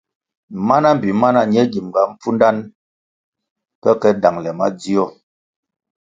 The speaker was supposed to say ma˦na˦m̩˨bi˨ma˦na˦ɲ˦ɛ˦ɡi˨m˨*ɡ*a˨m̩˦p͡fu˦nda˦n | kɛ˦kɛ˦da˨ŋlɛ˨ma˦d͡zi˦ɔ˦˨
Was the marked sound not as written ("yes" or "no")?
no